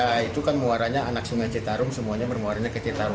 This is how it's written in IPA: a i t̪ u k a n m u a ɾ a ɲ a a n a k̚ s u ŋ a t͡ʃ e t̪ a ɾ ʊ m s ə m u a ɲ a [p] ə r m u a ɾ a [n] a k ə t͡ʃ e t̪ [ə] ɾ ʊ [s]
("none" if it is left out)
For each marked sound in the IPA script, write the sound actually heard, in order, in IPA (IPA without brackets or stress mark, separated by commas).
b, ɲ, a, none